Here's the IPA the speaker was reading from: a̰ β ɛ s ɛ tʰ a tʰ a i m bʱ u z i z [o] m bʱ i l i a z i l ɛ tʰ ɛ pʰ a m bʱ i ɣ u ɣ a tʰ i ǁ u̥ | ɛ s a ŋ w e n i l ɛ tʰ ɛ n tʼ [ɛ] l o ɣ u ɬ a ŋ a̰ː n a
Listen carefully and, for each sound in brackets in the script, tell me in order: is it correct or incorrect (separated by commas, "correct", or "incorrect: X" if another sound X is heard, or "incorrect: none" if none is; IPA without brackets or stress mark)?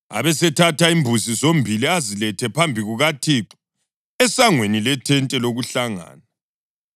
correct, correct